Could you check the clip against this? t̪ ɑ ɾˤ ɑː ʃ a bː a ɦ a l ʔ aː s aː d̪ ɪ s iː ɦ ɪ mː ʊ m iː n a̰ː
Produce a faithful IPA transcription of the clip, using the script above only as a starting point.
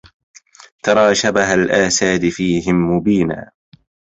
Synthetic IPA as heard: t̪ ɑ ɾˤ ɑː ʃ a b a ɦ a l ʔ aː s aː d̪ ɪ f iː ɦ ɪ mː ʊ b iː n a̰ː